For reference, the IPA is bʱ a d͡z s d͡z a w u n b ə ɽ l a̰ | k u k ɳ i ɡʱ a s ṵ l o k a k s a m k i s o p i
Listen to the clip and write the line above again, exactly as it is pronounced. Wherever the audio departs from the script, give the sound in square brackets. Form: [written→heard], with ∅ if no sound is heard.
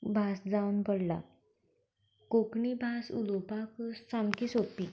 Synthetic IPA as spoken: bʱ a [d͡z→∅] s d͡z a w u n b ə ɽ l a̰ | k [u→o] k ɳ i [ɡʱ→bʱ] a s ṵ l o [k→p] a k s a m k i s o p i